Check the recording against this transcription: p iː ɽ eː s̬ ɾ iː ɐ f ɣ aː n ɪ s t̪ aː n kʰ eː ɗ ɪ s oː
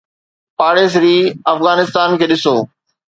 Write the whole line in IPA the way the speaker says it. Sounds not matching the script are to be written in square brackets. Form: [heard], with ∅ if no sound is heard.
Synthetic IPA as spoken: p [aː] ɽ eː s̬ ɾ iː ɐ f ɣ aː n ɪ s t̪ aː n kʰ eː ɗ ɪ s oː